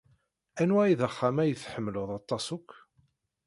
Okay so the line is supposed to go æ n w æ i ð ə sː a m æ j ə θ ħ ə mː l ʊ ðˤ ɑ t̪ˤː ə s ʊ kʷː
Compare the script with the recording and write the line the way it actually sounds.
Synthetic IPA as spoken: æ n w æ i ð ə χː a m æ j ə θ ħ ə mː l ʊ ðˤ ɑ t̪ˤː ɑ s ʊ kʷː